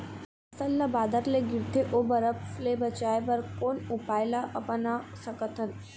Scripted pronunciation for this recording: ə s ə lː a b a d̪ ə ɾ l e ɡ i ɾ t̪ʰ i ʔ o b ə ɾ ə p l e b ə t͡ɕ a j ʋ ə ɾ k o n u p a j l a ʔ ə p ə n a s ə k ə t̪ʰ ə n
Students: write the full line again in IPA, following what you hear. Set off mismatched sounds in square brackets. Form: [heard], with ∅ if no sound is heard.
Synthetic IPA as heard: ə s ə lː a b a d̪ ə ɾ l e ɡ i ɾ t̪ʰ [e] ʔ o b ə ɾ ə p l e b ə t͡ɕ a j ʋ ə ɾ k o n u p a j l a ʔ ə p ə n a s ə k ə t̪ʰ ə n